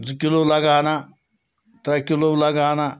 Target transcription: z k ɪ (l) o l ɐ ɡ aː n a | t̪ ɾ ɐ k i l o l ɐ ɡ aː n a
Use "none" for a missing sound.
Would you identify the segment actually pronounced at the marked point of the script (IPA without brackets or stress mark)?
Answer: l